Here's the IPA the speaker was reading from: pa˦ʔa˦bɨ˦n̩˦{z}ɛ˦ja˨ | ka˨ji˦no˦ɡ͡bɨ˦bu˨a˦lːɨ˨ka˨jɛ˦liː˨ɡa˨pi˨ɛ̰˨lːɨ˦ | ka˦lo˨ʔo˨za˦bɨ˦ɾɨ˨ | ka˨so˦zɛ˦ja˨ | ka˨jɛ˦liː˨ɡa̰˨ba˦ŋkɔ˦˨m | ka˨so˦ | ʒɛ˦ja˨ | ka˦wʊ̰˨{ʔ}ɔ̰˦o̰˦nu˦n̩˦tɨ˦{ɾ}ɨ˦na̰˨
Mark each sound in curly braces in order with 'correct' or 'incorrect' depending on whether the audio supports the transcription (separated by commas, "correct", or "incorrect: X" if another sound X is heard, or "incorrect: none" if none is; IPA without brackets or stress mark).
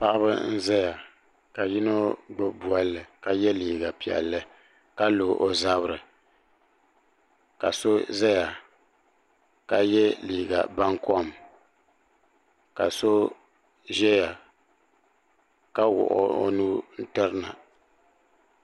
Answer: correct, correct, correct